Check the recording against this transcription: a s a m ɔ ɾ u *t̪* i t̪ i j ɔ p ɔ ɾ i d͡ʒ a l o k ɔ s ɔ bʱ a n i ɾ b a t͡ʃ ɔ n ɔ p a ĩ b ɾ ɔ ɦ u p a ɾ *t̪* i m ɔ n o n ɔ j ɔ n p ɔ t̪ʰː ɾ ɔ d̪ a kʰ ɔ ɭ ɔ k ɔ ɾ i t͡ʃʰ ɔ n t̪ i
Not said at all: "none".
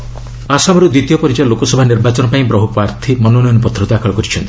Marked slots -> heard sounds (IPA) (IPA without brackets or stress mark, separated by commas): d̪, t̪ʰ